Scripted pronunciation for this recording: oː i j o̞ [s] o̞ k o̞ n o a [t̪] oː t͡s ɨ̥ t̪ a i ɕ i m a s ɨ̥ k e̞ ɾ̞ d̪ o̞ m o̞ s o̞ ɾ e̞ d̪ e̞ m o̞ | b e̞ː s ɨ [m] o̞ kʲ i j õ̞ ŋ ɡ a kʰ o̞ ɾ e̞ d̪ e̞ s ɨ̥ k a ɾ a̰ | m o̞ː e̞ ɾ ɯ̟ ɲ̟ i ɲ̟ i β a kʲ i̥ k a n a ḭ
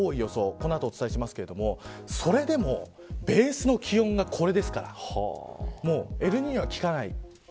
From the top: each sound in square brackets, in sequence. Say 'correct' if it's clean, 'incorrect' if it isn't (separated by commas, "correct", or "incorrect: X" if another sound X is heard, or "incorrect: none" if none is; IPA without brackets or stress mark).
correct, correct, incorrect: n